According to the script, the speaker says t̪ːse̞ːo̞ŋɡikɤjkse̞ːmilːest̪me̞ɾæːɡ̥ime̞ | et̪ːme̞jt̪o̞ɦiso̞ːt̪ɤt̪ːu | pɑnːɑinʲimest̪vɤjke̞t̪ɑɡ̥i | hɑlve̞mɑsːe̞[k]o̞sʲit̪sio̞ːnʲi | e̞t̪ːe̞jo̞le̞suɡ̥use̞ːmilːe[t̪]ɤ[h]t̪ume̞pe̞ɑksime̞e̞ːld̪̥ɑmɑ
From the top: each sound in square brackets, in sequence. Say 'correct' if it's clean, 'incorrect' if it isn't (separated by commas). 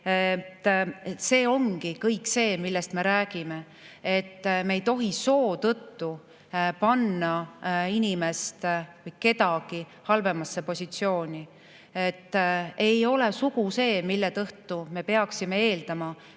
incorrect, correct, correct